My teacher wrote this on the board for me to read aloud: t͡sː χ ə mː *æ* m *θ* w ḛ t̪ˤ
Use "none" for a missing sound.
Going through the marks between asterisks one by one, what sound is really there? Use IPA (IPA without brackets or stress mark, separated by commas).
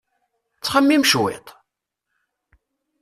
i, ʃ